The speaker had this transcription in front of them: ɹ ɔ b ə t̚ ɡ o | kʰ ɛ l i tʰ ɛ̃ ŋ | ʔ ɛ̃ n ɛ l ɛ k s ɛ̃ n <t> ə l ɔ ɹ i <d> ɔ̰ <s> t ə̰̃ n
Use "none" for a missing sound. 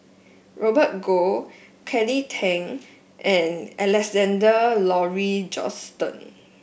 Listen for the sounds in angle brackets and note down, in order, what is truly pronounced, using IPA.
d, d͡ʒ, s

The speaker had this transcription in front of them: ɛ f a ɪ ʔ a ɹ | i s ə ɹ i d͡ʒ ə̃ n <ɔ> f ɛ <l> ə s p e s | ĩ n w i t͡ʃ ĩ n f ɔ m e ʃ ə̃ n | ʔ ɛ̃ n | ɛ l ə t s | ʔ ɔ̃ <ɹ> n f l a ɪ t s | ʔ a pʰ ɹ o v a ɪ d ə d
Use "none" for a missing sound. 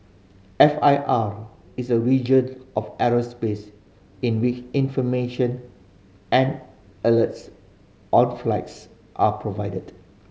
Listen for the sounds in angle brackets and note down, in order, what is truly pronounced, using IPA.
ɔ, ɹ, none

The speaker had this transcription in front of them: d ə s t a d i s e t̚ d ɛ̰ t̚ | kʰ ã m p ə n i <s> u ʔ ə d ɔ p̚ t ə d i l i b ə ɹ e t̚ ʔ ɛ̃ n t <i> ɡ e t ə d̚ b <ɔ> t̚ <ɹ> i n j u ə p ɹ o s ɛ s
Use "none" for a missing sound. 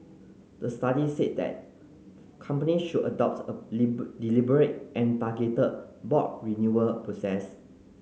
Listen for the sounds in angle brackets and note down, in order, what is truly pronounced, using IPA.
ʃ, a, ɔ, ɹ

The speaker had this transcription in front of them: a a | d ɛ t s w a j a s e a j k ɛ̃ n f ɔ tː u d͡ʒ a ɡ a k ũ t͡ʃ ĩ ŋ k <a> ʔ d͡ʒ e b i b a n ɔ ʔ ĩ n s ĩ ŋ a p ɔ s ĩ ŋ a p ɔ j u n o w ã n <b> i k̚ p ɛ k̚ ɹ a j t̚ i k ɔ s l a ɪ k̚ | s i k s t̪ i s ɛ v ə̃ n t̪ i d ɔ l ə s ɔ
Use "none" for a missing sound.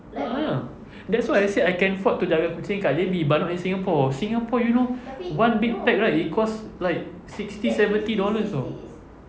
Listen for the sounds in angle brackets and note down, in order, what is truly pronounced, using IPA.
a, b

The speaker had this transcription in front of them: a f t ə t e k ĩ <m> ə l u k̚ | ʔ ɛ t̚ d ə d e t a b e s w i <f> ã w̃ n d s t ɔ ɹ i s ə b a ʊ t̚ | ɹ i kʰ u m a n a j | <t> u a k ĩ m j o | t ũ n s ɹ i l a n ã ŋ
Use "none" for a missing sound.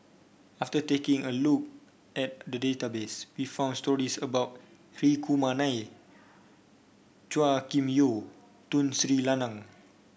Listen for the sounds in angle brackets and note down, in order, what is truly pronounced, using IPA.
ŋ, f, t͡ʃ

